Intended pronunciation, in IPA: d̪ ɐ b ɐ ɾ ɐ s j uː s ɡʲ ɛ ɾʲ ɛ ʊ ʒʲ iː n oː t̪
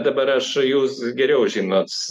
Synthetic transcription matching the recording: d̪ ɐ b ɐ ɾ ɐ ʃ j uː s ɡʲ ɛ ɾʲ ɛ ʊ ʒʲ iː n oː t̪